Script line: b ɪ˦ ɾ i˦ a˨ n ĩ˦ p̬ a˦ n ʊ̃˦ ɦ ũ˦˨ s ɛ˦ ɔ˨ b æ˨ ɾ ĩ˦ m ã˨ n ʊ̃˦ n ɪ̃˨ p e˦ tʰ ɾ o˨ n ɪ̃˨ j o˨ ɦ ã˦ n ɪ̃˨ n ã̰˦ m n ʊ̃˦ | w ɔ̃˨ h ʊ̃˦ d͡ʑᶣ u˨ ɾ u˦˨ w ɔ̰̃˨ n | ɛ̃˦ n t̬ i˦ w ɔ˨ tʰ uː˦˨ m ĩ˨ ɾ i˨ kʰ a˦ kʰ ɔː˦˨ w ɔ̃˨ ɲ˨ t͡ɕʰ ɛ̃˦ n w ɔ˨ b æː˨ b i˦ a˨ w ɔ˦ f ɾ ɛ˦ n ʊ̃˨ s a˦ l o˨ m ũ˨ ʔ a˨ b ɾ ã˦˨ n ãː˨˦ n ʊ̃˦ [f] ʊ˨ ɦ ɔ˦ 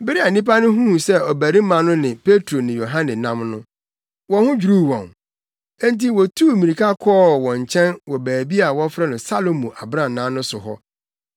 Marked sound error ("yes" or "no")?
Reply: yes